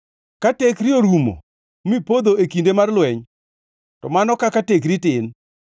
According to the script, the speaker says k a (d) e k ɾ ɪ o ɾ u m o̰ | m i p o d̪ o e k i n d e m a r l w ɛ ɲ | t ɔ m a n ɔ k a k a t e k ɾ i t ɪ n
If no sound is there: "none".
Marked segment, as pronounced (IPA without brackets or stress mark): t